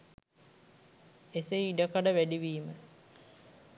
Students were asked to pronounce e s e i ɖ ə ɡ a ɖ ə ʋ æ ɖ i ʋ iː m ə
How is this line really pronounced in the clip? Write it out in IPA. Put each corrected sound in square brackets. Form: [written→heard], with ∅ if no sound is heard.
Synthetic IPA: e s e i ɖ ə [ɡ→k] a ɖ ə ʋ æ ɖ i ʋ iː m ə